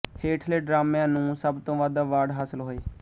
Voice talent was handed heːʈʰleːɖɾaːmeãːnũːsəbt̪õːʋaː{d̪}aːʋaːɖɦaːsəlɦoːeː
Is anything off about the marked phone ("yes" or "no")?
no